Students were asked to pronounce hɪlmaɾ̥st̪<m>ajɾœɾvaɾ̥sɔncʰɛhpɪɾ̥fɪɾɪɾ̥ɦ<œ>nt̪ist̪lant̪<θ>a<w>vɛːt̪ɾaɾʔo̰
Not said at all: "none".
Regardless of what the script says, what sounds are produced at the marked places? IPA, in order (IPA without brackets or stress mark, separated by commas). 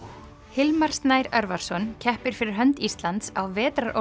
n, œ, s, w